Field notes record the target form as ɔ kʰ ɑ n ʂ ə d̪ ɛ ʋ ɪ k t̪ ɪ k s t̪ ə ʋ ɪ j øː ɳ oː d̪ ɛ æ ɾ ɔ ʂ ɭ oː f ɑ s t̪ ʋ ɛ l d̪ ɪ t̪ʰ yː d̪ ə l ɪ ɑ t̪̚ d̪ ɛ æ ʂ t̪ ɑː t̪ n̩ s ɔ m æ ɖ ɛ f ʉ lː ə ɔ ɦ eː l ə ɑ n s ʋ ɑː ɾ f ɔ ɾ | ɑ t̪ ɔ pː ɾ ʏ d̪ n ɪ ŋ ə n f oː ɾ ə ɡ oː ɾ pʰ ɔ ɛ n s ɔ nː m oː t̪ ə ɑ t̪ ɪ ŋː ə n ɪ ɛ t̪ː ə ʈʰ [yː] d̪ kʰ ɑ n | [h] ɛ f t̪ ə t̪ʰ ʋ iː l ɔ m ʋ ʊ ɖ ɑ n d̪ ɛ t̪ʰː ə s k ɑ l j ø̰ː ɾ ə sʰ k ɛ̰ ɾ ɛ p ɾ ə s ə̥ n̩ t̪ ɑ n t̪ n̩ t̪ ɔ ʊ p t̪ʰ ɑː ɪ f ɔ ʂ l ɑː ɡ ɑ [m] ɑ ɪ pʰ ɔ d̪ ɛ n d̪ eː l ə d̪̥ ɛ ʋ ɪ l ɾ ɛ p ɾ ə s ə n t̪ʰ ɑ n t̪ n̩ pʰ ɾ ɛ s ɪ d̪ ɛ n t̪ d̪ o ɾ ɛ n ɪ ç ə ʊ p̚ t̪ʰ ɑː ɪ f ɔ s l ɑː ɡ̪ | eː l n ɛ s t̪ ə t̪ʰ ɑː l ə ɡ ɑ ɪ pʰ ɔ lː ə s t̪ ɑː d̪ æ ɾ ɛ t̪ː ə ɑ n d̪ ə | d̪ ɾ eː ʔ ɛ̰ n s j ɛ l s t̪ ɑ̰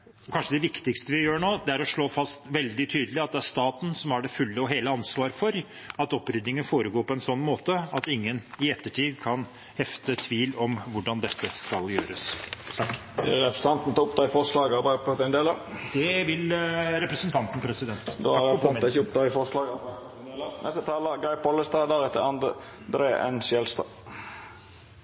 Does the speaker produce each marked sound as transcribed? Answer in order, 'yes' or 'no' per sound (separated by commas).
no, yes, no